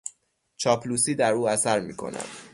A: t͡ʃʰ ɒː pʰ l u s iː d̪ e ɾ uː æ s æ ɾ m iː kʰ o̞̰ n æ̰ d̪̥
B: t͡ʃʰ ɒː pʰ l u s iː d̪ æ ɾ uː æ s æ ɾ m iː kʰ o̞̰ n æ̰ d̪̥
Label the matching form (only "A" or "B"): B